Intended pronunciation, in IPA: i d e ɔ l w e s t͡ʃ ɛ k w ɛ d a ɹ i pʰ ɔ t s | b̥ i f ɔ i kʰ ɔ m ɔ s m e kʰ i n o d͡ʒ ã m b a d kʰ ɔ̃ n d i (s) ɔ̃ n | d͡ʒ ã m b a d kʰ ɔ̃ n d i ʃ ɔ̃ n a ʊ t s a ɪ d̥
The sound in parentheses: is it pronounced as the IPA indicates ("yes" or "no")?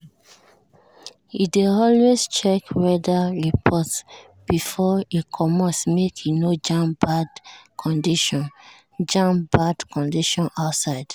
no